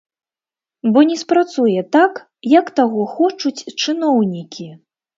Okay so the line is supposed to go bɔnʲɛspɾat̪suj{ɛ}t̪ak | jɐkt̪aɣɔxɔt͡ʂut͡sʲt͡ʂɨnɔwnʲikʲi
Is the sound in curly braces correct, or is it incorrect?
correct